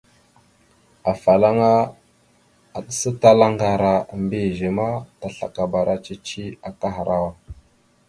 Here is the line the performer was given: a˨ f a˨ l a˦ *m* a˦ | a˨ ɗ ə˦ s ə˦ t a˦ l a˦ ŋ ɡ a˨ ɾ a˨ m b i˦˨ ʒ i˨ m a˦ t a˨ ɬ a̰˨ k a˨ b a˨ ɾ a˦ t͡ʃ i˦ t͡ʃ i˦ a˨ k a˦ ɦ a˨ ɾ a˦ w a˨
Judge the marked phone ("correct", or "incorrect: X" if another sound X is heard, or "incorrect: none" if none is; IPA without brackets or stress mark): incorrect: ŋ